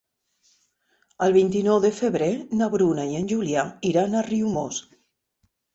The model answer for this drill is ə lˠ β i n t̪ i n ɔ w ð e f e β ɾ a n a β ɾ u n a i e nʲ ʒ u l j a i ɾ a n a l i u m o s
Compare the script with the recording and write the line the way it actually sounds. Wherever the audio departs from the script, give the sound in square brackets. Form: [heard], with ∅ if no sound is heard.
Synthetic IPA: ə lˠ β i n t̪ i n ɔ w ð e f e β ɾ [e] n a β ɾ u n a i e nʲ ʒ u l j a i ɾ a n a [r] i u m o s